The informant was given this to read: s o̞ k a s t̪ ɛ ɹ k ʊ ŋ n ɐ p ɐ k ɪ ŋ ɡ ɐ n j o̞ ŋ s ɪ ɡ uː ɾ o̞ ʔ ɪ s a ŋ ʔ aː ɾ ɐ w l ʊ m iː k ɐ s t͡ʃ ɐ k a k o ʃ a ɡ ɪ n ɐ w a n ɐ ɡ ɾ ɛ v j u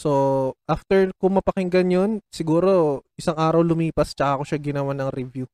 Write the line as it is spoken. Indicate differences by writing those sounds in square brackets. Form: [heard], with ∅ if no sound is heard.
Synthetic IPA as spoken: s o̞ [ʔ] a [f] t̪ ɛ ɹ k ʊ ŋ [m] ɐ p ɐ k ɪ ŋ ɡ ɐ n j o̞ [n] s ɪ ɡ uː ɾ o̞ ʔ ɪ s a ŋ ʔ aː ɾ ɐ w l ʊ m iː [p] ɐ s t͡ʃ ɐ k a k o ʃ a ɡ ɪ n ɐ w a n ɐ [ŋ] ɾ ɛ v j u